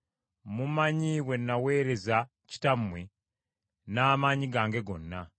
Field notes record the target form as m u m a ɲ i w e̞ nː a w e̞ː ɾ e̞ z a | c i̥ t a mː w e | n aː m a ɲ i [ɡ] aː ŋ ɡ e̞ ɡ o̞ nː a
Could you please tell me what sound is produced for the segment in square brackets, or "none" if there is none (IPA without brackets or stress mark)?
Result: ɡ